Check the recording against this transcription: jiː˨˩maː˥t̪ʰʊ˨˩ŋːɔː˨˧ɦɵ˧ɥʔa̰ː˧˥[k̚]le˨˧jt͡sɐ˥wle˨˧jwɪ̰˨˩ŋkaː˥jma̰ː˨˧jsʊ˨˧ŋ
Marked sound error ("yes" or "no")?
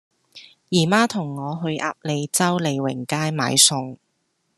yes